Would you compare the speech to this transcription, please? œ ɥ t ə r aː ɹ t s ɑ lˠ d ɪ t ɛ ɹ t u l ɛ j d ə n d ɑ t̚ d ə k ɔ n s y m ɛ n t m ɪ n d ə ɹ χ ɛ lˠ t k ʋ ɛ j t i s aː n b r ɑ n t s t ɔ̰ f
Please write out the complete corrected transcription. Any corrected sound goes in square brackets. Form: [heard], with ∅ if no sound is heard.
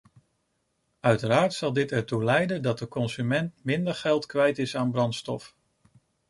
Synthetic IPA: œ ɥ t ə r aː ɹ t s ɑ lˠ d ɪ t ɛ ɹ t u l ɛ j d ə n d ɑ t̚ d ə k ɔ n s y m ɛ n t m ɪ n d ə ɹ χ ɛ lˠ t k ʋ ɛ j t [ɪ] s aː n b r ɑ n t s t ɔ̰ f

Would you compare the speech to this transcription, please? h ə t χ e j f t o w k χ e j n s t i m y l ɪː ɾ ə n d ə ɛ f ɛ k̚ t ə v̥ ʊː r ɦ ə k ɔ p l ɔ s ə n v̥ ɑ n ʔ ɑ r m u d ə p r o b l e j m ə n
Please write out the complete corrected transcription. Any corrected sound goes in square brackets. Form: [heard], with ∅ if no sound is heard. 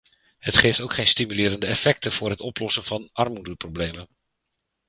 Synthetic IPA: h ə t χ e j f t o w k χ e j n s t i m y l ɪː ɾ ə n d ə ɛ f ɛ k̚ t ə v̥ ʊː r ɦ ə [t] ɔ p l ɔ s ə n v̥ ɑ n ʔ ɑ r m u d ə p r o b l e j m ə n

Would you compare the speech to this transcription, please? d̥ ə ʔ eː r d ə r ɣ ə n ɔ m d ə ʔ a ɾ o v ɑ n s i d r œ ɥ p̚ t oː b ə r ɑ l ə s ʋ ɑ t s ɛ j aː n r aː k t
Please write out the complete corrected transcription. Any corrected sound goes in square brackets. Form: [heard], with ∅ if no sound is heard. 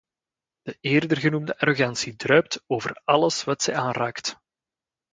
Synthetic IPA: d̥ ə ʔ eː r d ə r ɣ ə n [u] m d ə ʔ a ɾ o [ɣ] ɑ n s i d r œ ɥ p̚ t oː [v] ə r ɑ l ə s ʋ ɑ t s ɛ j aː n r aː k t

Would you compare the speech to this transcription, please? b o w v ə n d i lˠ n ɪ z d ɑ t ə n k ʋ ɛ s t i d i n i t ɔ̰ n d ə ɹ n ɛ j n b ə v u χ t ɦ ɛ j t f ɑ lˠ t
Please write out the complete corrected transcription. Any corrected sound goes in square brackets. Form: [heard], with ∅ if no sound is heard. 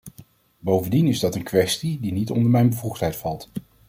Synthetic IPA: b o w v ə n d i [∅] n ɪ z d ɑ t ə n k ʋ ɛ s t i d i n i t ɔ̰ n d ə ɹ [m] ɛ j n b ə v u χ t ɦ ɛ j t f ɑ lˠ t

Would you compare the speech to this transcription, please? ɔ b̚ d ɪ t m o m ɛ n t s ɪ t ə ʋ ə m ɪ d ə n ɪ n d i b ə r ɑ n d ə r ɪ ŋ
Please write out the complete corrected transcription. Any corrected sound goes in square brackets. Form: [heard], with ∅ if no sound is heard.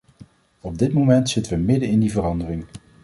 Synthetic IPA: ɔ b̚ d ɪ t m o m ɛ n t s ɪ t ə ʋ ə m ɪ d ə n ɪ n d i [v] ə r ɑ n d ə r ɪ ŋ

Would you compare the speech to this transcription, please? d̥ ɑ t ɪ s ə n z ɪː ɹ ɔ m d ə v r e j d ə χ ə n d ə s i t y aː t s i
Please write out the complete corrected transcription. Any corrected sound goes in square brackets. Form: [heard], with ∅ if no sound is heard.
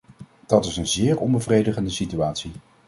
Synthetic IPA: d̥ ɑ t ɪ s ə n z ɪː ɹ ɔ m [b] ə v r e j d ə χ ə n d ə s i t y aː t s i

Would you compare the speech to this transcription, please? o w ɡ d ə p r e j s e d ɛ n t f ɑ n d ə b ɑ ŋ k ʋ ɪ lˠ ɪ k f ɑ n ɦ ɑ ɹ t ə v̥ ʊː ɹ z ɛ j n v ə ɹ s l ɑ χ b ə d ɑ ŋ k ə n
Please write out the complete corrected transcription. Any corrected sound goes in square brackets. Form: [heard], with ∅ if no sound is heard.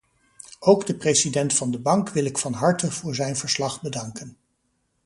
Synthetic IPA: o w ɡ d ə p r e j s [i] d ɛ n t f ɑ n d ə b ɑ ŋ k ʋ ɪ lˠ ɪ k f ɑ n ɦ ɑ ɹ t ə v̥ ʊː ɹ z ɛ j n v ə ɹ s l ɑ χ b ə d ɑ ŋ k ə n

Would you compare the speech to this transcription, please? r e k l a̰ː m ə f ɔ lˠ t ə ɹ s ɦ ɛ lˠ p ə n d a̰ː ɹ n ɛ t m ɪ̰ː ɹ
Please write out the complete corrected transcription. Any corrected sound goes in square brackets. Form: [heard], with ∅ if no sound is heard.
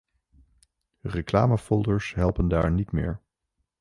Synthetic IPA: r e k l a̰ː m ə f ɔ lˠ [d] ə ɹ s ɦ ɛ lˠ p ə n d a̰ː ɹ n [i] t m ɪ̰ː ɹ

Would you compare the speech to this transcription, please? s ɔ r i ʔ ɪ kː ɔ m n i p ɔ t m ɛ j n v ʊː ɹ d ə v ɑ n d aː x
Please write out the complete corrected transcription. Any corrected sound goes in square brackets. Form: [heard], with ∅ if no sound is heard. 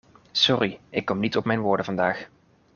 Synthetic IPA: s ɔ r i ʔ ɪ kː ɔ m n i [t] ɔ [p] m ɛ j n [ʋ] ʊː ɹ d ə v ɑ n d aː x

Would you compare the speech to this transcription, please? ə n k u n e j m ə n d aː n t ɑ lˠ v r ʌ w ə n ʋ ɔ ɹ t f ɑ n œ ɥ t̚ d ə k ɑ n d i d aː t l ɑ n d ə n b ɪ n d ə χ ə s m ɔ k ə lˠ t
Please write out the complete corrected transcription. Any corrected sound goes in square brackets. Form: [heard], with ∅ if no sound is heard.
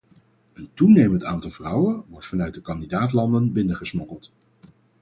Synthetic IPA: ə n [t] u n e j m ə n [t] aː n t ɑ lˠ v r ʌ w ə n ʋ ɔ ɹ t f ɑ n œ ɥ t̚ d ə k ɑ n d i d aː t l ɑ n d ə n b ɪ n d ə χ ə s m ɔ k ə lˠ t

